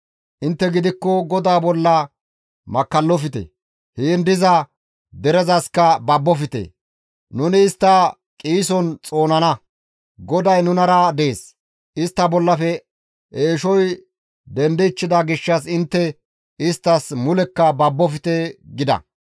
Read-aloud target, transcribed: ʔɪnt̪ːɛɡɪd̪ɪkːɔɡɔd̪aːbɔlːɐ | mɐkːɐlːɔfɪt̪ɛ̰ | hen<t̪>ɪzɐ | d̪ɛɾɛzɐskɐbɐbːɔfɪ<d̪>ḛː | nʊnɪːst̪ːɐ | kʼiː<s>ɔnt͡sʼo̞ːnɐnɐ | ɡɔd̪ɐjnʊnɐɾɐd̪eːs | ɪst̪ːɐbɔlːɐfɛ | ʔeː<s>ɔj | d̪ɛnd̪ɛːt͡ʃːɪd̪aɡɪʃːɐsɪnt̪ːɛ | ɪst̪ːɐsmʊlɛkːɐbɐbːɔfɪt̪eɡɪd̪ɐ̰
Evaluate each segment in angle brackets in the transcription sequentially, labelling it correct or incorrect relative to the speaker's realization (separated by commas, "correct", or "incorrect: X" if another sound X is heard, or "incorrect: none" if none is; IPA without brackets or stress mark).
incorrect: d̪, incorrect: t̪, correct, incorrect: ʃ